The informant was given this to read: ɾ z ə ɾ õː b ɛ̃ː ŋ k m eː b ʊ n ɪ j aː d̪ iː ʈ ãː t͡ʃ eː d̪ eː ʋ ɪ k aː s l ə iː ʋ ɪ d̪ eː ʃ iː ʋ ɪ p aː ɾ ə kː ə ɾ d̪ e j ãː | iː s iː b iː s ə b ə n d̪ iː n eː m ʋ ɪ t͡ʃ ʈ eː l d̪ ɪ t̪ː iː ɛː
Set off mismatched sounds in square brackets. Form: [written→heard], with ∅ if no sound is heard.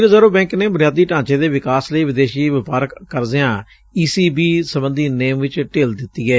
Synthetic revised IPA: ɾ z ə ɾ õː b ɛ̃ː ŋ k [m→n] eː b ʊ n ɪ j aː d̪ iː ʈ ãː t͡ʃ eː d̪ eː ʋ ɪ k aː s l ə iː ʋ ɪ d̪ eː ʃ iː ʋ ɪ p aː ɾ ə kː ə ɾ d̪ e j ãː | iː s iː b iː s ə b ə n d̪ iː n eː m ʋ ɪ t͡ʃ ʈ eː l d̪ ɪ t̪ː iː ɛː

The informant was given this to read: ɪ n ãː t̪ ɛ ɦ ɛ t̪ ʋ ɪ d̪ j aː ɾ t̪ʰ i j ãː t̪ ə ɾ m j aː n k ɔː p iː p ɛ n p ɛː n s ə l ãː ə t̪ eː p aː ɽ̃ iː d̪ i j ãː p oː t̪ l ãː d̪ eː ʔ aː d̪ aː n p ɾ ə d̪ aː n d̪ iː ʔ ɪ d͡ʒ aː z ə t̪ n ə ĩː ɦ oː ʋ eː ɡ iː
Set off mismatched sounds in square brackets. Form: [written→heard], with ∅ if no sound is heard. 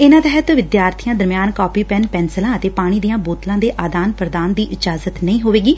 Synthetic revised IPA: ɪ n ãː t̪ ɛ ɦ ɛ t̪ ʋ ɪ d̪ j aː ɾ t̪ʰ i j ãː [t̪→d̪] ə ɾ m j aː n k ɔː p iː p ɛ n p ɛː n s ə l ãː ə t̪ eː p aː ɽ̃ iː d̪ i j ãː [p→b] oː t̪ l ãː d̪ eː ʔ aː d̪ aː n p ɾ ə d̪ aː n d̪ iː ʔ ɪ d͡ʒ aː z ə t̪ n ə ĩː ɦ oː ʋ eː ɡ iː

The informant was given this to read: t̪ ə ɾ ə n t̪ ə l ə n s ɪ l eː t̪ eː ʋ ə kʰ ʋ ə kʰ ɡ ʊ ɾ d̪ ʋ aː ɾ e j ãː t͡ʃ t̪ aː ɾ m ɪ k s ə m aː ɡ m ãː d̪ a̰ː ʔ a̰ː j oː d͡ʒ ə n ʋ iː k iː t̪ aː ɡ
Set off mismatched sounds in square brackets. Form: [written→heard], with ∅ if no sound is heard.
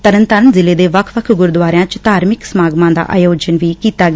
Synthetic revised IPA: t̪ ə ɾ ə n t̪ ə [l→ɾ] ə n [s→z] ɪ l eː [t̪→d̪] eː ʋ ə kʰ ʋ ə kʰ ɡ ʊ ɾ d̪ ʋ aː ɾ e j ãː t͡ʃ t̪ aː ɾ m ɪ k s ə m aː ɡ m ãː d̪ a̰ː ʔ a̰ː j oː d͡ʒ ə n ʋ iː k iː t̪ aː ɡ

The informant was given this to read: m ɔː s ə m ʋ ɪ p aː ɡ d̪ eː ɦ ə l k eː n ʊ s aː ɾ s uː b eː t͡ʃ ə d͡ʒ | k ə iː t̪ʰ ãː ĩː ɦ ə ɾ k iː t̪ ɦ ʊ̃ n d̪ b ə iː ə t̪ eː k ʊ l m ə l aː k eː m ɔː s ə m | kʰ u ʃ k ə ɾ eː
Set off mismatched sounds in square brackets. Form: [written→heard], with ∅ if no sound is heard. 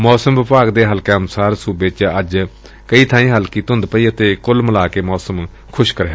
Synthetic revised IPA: m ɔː s ə m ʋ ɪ p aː ɡ d̪ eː ɦ ə l k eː n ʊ s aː ɾ s uː b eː t͡ʃ ə d͡ʒ | k ə iː t̪ʰ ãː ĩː ɦ ə [ɾ→l] k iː t̪ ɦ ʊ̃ n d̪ [b→p] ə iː ə t̪ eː k ʊ l m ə l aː k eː m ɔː s ə m | kʰ [u→ʊ] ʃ k ə ɾ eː

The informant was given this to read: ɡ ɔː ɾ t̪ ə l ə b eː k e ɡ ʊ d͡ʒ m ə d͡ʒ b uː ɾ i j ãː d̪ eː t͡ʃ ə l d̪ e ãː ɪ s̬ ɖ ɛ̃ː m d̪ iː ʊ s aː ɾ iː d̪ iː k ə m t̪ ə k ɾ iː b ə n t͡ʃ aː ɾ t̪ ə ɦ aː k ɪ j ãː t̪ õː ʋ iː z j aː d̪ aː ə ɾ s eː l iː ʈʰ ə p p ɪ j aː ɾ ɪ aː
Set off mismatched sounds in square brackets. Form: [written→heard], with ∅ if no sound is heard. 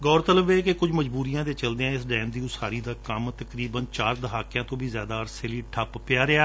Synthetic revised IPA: ɡ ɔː ɾ t̪ ə l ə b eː k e [ɡ→k] ʊ d͡ʒ m ə d͡ʒ b uː ɾ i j ãː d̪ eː t͡ʃ ə l d̪ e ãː ɪ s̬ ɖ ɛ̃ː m d̪ iː ʊ s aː ɾ iː d̪ [iː→aː] k ə m t̪ ə k ɾ iː b ə n t͡ʃ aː ɾ [t̪→d̪] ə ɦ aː k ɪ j ãː t̪ õː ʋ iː z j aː d̪ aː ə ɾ s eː l iː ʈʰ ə p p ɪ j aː ɾ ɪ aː

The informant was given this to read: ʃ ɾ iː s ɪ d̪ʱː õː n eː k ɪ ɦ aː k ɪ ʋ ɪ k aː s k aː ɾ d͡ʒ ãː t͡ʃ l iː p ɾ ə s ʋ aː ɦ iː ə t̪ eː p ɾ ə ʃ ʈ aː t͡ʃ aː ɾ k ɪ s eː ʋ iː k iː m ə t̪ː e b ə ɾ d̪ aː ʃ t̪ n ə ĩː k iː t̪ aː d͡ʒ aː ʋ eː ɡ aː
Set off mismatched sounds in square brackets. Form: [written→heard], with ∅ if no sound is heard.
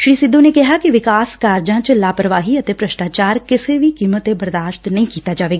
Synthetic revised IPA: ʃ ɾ iː s ɪ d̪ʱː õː n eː k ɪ ɦ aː k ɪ ʋ ɪ k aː s k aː ɾ d͡ʒ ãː t͡ʃ l [iː→aː] p ɾ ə [s→∅] ʋ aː ɦ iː ə t̪ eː p ɾ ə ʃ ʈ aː t͡ʃ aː ɾ k ɪ s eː ʋ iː k iː m ə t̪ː e b ə ɾ d̪ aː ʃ t̪ n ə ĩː k iː t̪ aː d͡ʒ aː ʋ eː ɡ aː

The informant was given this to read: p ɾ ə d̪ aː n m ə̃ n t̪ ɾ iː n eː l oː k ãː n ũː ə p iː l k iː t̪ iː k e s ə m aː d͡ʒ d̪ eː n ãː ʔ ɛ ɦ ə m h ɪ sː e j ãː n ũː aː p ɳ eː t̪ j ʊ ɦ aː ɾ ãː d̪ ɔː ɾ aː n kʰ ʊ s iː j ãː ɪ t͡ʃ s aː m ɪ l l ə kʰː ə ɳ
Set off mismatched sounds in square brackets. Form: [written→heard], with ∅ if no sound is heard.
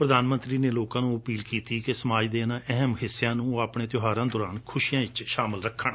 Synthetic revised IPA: p ɾ ə d̪ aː n m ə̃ n t̪ ɾ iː n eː l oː k ãː n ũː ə p iː l k iː t̪ iː k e s ə m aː d͡ʒ d̪ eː n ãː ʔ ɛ ɦ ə m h ɪ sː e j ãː n ũː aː p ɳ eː t̪ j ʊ ɦ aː ɾ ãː d̪ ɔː ɾ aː n kʰ ʊ [s→ʃ] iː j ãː ɪ t͡ʃ [s→ʃ] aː m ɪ l [l→ɾ] ə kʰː ə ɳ

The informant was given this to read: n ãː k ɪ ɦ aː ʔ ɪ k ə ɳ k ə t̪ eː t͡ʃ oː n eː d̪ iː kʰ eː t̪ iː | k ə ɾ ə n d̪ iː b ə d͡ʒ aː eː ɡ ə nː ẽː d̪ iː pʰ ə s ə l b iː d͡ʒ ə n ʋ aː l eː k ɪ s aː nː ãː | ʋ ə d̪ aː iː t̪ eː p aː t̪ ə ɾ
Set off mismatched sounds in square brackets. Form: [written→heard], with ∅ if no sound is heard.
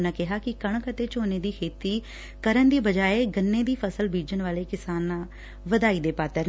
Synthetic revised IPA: n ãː k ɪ ɦ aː [ʔ→k] ɪ k ə ɳ k ə t̪ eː t͡ʃ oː n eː d̪ iː kʰ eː t̪ iː | k ə ɾ ə n d̪ iː b ə d͡ʒ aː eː ɡ ə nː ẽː d̪ iː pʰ ə s ə l b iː d͡ʒ ə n ʋ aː l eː k ɪ s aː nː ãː | ʋ ə d̪ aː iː [t̪→d̪] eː p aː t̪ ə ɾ

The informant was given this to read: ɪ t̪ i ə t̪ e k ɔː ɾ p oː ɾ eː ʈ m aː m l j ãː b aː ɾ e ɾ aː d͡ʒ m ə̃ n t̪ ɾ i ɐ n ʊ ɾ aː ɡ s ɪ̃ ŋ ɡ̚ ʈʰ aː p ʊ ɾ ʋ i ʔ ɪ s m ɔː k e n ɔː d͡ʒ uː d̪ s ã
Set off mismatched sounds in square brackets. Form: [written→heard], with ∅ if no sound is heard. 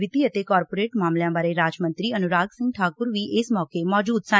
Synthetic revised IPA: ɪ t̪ i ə t̪ e k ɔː ɾ p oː ɾ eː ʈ m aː m l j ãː b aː ɾ e ɾ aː d͡ʒ m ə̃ n t̪ ɾ i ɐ n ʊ ɾ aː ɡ s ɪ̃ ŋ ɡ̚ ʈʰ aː [p→k] ʊ ɾ ʋ i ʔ ɪ s m ɔː k e [n→m] ɔː d͡ʒ uː d̪ s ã

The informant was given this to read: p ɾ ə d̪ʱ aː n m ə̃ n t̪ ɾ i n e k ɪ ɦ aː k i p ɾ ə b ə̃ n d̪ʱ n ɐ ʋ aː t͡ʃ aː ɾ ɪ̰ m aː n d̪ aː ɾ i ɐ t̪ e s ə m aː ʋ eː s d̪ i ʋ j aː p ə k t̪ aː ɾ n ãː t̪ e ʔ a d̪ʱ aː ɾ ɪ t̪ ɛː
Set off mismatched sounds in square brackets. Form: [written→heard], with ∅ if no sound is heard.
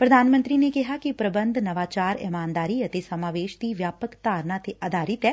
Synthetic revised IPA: p ɾ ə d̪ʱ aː n m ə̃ n t̪ ɾ i n e k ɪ ɦ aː k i p ɾ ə b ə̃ n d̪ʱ n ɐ ʋ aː t͡ʃ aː ɾ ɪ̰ m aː n d̪ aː ɾ i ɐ t̪ e s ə m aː ʋ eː [s→ʃ] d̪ i ʋ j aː p ə k t̪ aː ɾ n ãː t̪ e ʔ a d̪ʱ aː ɾ ɪ t̪ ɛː

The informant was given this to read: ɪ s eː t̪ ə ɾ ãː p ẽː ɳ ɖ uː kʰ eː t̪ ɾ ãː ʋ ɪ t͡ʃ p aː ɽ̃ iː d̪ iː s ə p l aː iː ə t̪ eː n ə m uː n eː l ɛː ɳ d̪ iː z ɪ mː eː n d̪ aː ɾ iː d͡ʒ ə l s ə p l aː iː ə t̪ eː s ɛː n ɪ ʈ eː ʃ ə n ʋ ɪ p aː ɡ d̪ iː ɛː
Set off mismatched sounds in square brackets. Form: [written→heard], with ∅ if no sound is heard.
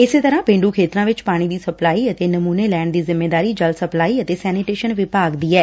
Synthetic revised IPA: ɪ s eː t̪ ə ɾ ãː p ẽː ɳ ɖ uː kʰ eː t̪ ɾ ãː ʋ ɪ t͡ʃ p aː ɽ̃ iː d̪ iː s ə p l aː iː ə t̪ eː n ə m uː n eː l ɛː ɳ d̪ iː z ɪ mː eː [n→∅] d̪ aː ɾ iː d͡ʒ ə l s ə p l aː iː ə t̪ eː s ɛː n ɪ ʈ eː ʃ ə n ʋ ɪ p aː ɡ d̪ iː ɛː

